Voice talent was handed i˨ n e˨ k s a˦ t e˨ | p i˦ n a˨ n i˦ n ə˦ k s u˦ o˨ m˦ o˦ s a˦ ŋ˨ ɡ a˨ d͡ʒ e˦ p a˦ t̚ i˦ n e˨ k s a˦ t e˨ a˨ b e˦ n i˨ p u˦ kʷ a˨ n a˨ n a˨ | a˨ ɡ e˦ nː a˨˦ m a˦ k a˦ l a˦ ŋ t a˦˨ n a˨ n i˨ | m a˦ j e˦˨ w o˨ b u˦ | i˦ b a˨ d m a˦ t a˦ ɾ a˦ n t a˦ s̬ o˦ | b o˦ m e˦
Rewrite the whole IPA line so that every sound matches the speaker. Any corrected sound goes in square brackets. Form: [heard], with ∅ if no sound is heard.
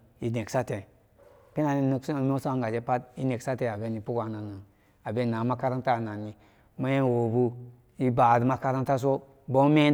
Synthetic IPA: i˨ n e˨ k s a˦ t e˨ | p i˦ n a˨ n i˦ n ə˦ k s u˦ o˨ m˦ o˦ s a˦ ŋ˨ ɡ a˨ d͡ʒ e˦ p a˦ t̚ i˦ n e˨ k s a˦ t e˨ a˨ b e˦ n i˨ p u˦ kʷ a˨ n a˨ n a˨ | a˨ [b] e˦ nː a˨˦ m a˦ k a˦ [ɾ] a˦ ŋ t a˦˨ n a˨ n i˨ | m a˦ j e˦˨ w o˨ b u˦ | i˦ b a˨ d m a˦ [k] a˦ ɾ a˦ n t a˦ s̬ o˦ | b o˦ m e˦